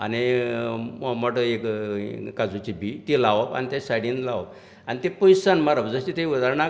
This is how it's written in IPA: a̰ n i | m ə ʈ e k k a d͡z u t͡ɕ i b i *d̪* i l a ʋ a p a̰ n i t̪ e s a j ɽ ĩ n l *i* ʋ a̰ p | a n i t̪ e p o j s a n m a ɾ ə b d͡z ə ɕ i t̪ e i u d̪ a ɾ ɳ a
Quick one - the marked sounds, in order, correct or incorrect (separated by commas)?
incorrect, incorrect